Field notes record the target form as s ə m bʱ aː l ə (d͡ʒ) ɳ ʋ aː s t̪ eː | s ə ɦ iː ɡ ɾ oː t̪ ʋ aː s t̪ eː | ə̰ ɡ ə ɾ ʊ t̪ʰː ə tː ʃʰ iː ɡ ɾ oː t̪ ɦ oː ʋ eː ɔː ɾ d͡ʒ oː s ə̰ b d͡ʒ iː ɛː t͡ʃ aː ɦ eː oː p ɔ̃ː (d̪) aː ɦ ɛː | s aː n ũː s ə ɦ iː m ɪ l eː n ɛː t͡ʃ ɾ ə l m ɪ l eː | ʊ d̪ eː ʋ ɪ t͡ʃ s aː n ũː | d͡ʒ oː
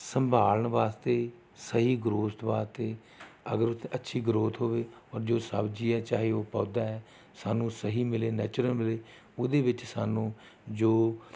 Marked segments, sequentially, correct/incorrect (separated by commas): incorrect, correct